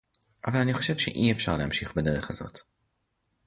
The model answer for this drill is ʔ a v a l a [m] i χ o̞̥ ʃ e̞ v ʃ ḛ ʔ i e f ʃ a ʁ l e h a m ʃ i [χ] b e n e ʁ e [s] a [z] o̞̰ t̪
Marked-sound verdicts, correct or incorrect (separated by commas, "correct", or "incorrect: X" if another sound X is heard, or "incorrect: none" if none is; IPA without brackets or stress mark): incorrect: n, correct, incorrect: χ, correct